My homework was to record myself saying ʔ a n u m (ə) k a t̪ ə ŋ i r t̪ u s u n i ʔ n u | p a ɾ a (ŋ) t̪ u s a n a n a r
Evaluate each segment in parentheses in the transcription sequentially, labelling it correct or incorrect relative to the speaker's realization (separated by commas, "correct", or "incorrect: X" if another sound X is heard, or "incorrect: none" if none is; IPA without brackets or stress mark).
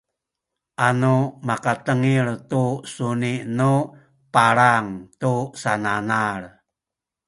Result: incorrect: a, correct